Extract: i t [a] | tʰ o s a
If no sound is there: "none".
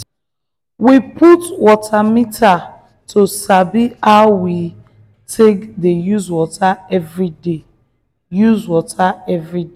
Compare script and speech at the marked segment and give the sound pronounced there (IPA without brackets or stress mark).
a